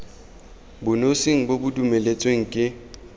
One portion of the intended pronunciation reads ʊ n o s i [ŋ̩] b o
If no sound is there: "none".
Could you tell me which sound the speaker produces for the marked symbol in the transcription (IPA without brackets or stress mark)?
ŋ̩